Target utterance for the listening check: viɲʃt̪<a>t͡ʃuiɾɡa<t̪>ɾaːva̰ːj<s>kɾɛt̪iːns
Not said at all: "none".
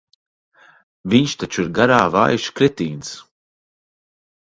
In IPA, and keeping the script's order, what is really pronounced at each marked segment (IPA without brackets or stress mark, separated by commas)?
a, none, ʃ